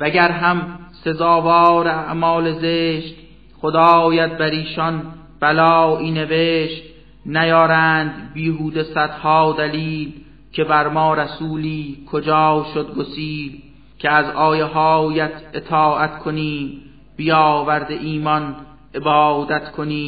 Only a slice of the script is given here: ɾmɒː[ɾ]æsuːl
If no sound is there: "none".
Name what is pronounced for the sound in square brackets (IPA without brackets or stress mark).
ɾ